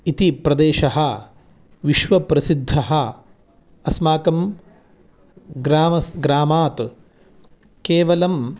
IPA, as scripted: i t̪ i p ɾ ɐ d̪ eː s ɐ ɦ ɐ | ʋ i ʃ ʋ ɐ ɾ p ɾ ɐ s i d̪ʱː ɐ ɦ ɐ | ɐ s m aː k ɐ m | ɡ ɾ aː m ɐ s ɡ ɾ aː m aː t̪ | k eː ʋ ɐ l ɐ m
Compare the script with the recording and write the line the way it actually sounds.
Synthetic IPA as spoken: i t̪ i p ɾ ɐ d̪ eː ʃ ɐ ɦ ɐ | ʋ i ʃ ʋ ɐ p ɾ ɐ s i d̪ʱː ɐ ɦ ɐ | ɐ s m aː k ɐ m | ɡ ɾ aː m ɐ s ɡ ɾ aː m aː t̪ | k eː ʋ ɐ l ɐ m

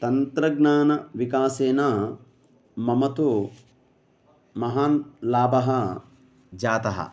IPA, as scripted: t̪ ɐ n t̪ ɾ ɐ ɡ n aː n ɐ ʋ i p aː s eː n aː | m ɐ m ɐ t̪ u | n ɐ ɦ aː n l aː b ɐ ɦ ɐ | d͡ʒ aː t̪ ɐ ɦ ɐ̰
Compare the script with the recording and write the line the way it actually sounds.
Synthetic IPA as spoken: t̪ ɐ n t̪ ɾ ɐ ɡ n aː n ɐ ʋ i k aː s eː n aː | m ɐ m ɐ t̪ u | m ɐ ɦ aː n l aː b ɐ ɦ ɐ | d͡ʒ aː t̪ ɐ ɦ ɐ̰

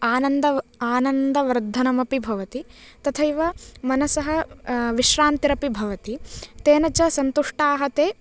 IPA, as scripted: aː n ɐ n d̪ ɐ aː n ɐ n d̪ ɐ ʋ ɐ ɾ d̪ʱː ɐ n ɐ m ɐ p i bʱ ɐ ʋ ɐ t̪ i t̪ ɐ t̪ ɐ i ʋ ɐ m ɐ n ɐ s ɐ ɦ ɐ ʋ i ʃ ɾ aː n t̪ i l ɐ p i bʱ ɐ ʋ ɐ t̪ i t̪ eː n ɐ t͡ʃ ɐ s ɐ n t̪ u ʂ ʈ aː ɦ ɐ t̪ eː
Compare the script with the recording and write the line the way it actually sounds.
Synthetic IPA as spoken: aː n ɐ n d̪ ɐ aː n ɐ n d̪ ɐ ʋ ɐ ɾ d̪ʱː ɐ n ɐ m ɐ p i bʱ ɐ ʋ ɐ t̪ i t̪ ɐ t̪ʰ ɐ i ʋ ɐ m ɐ n ɐ s ɐ ɦ ɐ ʋ i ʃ ɾ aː n t̪ i ɾ ɐ p i bʱ ɐ ʋ ɐ t̪ i t̪ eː n ɐ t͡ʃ ɐ s ɐ n t̪ u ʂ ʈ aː ɦ ɐ t̪ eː

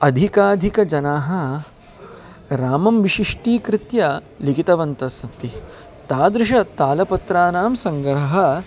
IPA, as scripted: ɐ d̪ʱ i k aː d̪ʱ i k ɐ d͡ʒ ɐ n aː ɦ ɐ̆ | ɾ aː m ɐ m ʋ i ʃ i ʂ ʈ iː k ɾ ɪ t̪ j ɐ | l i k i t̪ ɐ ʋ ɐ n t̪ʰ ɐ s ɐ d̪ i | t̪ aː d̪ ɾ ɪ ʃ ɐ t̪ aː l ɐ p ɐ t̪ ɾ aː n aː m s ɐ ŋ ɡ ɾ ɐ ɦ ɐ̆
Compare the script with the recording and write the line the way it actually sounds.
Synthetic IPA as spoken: ɐ d̪ʱ i k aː d̪ʱ i k ɐ d͡ʒ ɐ n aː ɦ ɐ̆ | ɾ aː m ɐ m ʋ i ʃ i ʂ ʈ iː k ɾ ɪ t̪ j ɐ | l i k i t̪ ɐ ʋ ɐ n t̪ ɐ s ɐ t̪ i | t̪ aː d̪ ɾ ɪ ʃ ɐ t̪ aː l ɐ p ɐ t̪ ɾ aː n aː m s ɐ ŋ ɡ ɾ ɐ ɦ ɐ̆

